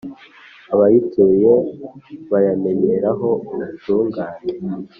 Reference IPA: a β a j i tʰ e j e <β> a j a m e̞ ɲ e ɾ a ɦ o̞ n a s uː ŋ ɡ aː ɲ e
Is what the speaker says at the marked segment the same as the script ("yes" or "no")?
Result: yes